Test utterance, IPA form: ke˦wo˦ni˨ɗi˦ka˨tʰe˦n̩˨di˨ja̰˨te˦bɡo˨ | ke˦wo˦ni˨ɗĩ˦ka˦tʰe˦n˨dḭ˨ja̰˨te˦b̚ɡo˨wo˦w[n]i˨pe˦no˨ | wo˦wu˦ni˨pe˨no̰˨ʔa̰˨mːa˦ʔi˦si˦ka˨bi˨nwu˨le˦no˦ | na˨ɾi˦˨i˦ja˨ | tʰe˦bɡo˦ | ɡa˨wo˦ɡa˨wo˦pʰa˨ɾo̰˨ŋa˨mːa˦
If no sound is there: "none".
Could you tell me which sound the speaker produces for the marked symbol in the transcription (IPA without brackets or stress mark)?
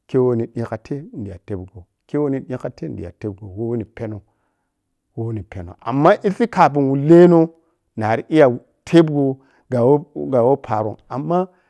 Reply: n